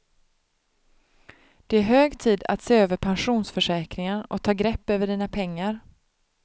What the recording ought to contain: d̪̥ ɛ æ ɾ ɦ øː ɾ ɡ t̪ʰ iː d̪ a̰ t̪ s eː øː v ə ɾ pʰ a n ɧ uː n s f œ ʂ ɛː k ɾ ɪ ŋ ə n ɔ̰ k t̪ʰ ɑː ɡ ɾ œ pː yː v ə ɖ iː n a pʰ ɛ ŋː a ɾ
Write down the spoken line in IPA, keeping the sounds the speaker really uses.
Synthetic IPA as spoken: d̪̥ ɛ æ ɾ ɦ øː ɡ t̪ʰ iː d̪ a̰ t̪ s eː øː v ə ɾ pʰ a n ɧ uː n s f œ ʂ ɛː k ɾ ɪ ŋ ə n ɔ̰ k t̪ʰ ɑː ɡ ɾ ɛ pː øː v ə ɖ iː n a pʰ ɛ ŋː a ɾ